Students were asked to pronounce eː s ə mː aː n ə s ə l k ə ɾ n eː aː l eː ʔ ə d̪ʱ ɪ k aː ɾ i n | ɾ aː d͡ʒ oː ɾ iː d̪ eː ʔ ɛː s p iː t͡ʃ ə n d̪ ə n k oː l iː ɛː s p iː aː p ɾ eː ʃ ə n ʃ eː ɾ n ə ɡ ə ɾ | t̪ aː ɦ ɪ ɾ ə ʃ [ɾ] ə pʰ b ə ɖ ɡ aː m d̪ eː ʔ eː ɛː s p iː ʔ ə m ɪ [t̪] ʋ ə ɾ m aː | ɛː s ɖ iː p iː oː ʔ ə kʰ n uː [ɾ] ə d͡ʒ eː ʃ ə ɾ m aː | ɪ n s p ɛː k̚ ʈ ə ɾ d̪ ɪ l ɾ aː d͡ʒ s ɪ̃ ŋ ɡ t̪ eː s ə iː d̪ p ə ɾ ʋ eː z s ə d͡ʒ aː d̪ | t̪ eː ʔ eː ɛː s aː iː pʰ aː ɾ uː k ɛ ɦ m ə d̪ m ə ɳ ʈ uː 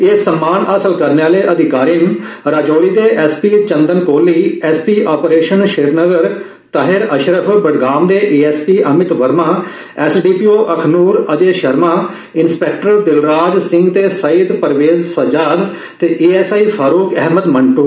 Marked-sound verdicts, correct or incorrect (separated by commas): correct, correct, correct